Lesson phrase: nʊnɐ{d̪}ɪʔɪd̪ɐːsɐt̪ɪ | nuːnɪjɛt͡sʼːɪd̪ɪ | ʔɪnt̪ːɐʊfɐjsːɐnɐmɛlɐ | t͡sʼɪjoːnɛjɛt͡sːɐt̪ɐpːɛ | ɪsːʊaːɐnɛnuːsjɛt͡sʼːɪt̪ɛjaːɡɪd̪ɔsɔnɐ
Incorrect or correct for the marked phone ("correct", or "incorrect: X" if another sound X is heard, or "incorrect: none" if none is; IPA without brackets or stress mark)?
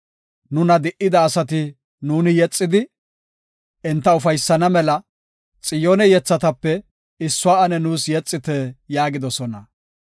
correct